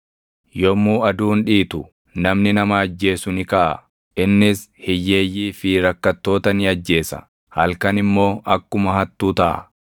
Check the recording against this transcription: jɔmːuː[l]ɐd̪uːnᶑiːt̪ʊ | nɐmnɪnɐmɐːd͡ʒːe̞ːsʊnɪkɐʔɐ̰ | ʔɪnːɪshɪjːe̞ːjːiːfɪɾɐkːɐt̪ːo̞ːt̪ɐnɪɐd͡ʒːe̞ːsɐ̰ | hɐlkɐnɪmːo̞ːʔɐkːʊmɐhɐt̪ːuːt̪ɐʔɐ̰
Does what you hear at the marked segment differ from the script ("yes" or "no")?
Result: yes